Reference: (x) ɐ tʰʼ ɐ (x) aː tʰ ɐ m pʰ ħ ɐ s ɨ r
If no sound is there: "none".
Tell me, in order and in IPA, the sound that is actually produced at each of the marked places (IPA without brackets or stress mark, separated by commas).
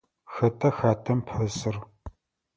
x, x